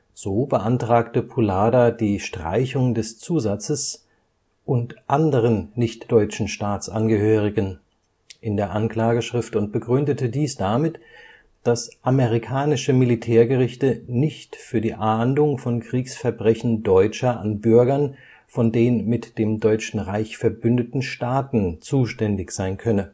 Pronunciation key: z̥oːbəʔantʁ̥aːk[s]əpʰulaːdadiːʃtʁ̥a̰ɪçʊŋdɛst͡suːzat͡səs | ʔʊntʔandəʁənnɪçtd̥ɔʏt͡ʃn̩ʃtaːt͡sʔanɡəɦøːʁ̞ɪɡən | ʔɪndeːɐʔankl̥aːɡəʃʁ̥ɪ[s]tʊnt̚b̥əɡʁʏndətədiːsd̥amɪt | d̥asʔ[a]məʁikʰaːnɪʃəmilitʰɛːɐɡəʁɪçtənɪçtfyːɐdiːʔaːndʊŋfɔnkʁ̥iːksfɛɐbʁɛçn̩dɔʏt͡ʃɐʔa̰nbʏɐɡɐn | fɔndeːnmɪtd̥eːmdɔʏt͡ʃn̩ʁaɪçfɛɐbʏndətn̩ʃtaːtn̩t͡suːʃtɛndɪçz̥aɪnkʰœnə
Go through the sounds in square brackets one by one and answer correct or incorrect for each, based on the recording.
incorrect, incorrect, correct

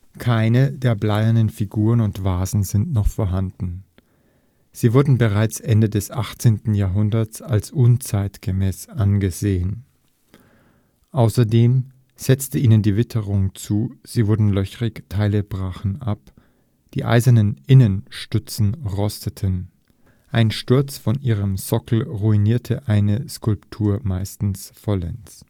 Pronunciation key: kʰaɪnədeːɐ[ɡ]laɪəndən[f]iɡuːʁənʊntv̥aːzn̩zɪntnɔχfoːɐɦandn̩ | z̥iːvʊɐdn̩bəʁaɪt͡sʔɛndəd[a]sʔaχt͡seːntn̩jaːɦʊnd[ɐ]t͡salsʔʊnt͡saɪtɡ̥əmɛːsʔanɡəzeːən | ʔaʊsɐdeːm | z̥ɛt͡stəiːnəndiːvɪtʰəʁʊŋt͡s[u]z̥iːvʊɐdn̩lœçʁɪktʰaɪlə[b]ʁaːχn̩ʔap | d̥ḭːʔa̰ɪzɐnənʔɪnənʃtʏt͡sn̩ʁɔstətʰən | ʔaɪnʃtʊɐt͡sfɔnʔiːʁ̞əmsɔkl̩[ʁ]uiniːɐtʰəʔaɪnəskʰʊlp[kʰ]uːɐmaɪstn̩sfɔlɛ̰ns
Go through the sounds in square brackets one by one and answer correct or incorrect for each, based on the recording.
incorrect, correct, incorrect, correct, incorrect, correct, correct, incorrect

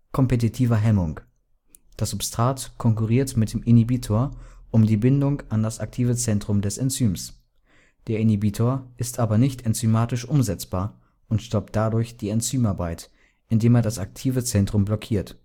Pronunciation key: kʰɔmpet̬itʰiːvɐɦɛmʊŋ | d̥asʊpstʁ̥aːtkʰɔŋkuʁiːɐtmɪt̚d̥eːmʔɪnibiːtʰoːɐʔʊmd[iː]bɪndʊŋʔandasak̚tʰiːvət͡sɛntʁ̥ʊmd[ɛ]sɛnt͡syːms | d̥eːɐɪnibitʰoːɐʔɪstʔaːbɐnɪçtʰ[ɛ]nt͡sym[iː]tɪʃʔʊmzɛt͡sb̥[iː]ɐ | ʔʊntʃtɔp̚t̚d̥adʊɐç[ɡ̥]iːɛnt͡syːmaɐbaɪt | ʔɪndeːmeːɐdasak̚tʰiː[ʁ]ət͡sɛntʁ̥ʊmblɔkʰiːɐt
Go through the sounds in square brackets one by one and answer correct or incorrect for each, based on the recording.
correct, correct, correct, incorrect, incorrect, incorrect, incorrect

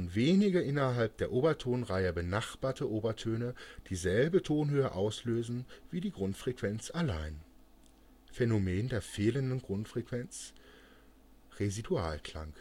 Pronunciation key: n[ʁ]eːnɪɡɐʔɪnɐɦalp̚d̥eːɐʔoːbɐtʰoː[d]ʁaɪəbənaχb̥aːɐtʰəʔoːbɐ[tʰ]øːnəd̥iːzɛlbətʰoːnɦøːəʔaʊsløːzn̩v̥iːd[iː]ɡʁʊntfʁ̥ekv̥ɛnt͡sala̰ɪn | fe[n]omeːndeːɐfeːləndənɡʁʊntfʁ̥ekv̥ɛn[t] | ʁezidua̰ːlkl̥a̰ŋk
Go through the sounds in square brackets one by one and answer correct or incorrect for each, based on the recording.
incorrect, incorrect, correct, correct, correct, incorrect

